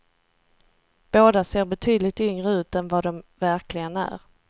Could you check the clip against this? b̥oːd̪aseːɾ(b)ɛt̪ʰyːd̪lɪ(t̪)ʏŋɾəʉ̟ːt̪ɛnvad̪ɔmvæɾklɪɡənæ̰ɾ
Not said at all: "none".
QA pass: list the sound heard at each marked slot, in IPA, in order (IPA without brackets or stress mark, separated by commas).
b, t̪